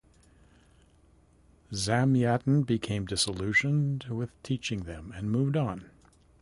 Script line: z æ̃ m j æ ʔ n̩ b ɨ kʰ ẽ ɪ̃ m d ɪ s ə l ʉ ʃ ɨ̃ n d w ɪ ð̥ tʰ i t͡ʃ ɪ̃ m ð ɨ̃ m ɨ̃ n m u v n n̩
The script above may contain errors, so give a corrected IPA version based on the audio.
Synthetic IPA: z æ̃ m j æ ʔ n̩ b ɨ kʰ ẽ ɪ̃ m d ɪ s ə l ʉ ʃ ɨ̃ n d w ɪ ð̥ tʰ i t͡ʃ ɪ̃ ŋ ð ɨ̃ m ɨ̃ n m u v d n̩